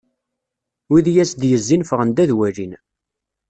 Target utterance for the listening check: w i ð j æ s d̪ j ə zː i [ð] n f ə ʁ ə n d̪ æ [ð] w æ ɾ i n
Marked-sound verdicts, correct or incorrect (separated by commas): incorrect, correct